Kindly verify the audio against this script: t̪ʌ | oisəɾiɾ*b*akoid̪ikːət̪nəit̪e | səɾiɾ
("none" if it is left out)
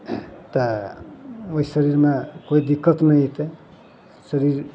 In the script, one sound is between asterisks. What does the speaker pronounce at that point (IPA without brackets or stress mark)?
m